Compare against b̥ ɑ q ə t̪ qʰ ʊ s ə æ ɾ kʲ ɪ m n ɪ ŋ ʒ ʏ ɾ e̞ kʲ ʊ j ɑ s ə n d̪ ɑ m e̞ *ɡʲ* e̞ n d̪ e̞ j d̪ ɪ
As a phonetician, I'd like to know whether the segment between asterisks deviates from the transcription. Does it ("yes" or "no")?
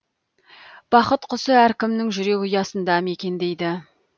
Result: yes